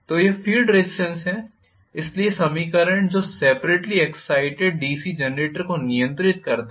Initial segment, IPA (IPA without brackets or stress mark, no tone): t̪